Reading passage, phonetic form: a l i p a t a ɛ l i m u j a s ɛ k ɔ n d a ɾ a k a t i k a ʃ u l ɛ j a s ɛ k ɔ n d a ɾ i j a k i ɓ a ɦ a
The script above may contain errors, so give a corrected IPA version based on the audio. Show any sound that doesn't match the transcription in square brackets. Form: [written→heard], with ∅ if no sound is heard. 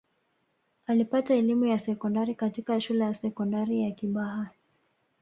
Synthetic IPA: a l i p a t a ɛ l i m u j a s ɛ k ɔ n d a ɾ [a→i] k a t i k a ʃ u l ɛ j a s ɛ k ɔ n d a ɾ i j a k i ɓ a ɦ a